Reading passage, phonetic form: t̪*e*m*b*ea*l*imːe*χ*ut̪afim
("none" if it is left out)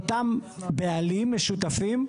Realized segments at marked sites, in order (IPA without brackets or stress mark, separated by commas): a, b, l, ʃ